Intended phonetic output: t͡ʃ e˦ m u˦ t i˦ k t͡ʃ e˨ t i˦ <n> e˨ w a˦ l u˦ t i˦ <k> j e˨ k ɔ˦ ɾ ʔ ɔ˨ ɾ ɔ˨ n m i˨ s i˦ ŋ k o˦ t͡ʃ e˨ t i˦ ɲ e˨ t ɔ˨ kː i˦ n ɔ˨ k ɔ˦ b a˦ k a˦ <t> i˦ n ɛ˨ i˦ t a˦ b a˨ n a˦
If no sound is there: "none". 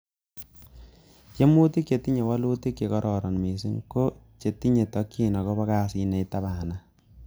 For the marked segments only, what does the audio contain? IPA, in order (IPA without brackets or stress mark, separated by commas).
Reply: ɲ, k, s